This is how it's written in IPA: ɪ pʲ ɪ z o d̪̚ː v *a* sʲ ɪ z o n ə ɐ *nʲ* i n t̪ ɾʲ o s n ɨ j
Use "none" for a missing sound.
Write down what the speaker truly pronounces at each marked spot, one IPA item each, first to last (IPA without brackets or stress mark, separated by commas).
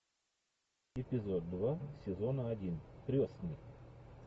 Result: a, dʲ